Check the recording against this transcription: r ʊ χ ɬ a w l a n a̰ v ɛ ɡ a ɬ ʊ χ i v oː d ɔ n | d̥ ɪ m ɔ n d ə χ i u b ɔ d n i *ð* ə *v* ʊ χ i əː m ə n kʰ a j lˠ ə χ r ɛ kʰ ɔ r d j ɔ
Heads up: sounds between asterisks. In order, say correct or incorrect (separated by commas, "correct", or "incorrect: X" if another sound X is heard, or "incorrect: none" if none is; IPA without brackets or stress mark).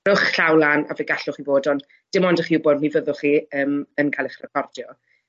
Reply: incorrect: v, incorrect: ð